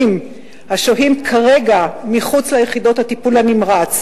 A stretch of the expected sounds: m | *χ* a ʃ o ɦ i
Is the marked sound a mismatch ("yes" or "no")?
yes